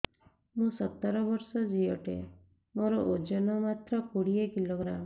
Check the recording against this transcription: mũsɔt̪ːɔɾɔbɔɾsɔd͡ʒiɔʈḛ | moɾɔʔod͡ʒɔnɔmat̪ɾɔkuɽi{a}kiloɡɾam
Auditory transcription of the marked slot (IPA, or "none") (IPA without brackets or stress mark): e